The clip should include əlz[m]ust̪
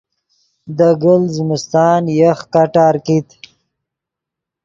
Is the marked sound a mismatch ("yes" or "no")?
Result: no